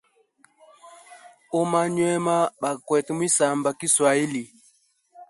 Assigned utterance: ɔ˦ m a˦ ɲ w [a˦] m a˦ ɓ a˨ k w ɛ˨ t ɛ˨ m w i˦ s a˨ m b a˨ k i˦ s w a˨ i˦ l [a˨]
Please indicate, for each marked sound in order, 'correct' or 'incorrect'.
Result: incorrect, incorrect

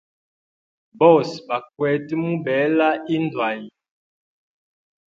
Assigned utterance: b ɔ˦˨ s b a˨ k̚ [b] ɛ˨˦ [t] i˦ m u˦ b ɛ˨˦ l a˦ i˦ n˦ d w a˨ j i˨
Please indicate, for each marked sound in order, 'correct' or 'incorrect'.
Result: incorrect, correct

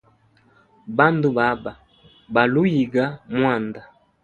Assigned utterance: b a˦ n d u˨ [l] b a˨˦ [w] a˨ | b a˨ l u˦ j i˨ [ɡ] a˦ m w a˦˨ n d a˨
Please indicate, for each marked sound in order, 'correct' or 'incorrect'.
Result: incorrect, incorrect, correct

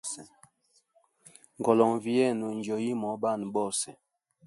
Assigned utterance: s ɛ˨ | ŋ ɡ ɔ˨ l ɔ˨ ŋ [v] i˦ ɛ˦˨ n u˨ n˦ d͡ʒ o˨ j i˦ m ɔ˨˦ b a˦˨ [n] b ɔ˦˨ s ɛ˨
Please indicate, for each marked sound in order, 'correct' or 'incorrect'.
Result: correct, correct

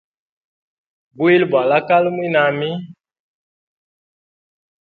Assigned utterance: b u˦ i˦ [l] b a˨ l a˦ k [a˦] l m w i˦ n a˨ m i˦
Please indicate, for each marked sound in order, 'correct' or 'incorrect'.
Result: correct, correct

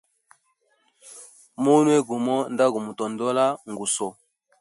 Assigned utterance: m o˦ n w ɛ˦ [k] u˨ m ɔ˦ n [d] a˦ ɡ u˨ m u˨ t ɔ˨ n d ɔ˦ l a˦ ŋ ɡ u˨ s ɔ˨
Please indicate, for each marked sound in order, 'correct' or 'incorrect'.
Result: incorrect, correct

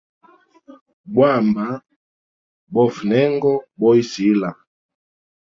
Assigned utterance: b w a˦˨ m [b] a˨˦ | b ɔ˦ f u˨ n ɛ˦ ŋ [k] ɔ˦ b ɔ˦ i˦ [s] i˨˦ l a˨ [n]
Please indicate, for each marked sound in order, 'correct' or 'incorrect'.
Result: correct, incorrect, correct, incorrect

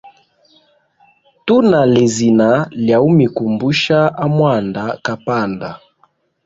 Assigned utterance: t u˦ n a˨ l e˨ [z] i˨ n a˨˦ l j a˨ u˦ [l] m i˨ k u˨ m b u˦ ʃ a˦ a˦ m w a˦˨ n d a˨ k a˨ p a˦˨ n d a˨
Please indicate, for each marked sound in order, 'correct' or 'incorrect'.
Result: correct, incorrect

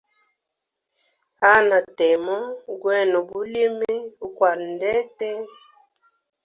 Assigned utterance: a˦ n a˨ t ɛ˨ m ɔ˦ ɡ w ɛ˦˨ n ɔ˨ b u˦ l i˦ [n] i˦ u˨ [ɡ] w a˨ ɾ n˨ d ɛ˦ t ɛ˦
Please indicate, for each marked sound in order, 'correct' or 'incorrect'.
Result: incorrect, incorrect

